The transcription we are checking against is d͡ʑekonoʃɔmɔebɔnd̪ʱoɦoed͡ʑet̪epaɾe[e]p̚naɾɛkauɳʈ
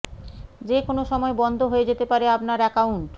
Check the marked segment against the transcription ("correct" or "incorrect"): incorrect